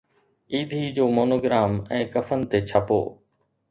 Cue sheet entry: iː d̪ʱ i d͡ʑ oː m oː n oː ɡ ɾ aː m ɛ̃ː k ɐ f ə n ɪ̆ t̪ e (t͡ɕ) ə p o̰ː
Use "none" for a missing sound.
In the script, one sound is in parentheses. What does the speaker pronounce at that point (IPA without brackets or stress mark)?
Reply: t͡ɕʰ